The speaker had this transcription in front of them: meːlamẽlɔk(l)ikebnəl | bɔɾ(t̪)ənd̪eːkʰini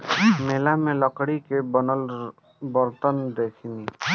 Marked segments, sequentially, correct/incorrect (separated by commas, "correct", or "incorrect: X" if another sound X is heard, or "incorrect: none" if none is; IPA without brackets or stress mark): incorrect: ɽ, correct